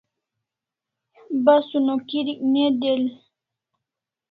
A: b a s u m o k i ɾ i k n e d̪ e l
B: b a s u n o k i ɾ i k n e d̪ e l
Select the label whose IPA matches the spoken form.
B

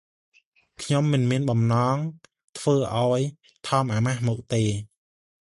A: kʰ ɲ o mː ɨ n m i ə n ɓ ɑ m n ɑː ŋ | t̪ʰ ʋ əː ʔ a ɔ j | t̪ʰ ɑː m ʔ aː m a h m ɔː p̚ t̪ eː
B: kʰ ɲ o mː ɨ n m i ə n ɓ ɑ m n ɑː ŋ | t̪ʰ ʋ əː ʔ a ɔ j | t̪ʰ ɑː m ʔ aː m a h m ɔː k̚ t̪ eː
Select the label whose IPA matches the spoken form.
B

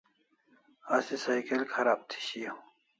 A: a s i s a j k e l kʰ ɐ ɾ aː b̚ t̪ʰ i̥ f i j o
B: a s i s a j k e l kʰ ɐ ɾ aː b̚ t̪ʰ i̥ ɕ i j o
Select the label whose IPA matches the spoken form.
B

